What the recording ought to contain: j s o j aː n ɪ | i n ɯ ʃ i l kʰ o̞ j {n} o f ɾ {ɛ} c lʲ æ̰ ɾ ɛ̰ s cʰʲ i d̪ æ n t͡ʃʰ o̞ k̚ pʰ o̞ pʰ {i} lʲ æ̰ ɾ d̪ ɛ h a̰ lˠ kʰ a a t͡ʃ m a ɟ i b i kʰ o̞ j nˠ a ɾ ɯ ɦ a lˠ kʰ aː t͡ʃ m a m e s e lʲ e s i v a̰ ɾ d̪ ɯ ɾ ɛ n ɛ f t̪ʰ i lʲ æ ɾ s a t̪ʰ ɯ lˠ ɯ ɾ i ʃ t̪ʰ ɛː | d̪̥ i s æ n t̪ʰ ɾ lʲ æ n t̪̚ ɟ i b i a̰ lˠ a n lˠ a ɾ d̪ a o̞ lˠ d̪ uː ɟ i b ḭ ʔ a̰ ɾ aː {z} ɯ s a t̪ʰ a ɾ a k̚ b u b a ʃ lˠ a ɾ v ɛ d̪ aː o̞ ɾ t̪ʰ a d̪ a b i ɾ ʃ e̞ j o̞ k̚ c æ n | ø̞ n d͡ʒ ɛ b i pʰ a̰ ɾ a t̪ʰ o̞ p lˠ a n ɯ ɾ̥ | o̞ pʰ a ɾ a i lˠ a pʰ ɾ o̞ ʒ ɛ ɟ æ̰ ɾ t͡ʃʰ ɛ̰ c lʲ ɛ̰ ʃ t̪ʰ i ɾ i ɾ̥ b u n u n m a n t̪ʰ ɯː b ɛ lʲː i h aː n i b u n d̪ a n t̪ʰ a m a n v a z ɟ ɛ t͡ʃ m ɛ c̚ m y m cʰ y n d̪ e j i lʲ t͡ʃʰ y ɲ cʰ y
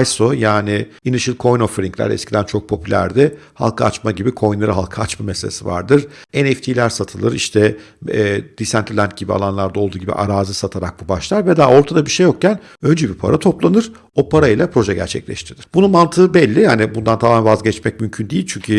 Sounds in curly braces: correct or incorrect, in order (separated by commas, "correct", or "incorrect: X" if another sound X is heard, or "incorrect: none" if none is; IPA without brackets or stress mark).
correct, incorrect: i, incorrect: y, correct